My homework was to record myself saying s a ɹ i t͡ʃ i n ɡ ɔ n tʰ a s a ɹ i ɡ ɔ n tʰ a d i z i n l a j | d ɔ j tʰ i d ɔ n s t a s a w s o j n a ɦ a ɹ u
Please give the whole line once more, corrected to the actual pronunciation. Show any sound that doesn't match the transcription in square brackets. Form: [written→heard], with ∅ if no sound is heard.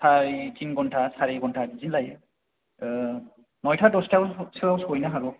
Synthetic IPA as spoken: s a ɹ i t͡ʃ i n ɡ ɔ n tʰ a s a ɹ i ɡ ɔ n tʰ a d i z i n l a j | [d→n] ɔ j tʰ [i→a] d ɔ [n→∅] s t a s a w s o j n a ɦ a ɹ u

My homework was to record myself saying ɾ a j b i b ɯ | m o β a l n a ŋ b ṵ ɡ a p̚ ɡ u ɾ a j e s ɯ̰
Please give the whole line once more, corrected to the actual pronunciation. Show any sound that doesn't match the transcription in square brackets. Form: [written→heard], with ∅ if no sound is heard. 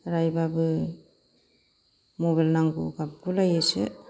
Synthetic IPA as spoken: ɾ a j b [i→a] b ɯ | m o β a l n a ŋ [b→ɡ] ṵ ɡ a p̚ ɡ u [ɾ→l] a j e s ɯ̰

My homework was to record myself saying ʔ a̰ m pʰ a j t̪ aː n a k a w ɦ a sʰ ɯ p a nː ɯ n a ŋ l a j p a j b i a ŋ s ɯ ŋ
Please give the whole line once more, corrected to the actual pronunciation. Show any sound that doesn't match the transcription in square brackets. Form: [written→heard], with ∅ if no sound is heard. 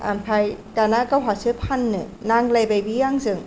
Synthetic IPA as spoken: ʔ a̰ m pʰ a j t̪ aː n a k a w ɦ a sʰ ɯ [p→pʰ] a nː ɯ n a ŋ l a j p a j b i a ŋ s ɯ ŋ

